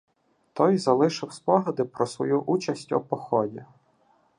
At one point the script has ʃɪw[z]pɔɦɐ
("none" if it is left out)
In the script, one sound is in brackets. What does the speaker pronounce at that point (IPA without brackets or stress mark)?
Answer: s